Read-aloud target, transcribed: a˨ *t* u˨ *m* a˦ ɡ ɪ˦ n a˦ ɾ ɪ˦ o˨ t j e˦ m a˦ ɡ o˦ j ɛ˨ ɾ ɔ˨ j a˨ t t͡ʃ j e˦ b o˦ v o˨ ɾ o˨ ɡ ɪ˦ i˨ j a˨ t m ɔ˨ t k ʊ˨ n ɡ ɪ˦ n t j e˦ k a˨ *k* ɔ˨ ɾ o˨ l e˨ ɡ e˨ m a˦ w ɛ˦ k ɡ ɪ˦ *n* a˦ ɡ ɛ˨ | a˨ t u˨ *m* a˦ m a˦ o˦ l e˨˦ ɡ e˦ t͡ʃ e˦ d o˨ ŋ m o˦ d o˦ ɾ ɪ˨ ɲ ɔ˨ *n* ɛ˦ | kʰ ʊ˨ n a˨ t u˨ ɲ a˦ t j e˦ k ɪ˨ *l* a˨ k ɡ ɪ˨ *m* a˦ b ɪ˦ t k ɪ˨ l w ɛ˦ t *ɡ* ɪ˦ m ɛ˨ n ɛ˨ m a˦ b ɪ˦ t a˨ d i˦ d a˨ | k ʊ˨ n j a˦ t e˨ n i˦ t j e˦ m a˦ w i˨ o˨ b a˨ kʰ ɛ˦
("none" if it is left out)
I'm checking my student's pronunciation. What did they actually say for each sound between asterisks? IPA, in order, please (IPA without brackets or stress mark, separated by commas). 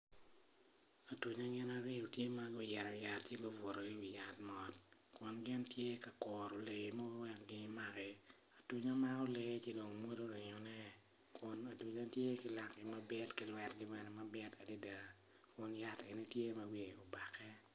t, ɲ, k, m, ɲ, n, l, m, ɡ